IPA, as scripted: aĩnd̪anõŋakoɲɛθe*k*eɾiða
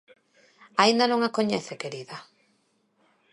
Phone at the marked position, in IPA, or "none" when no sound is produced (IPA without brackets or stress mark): k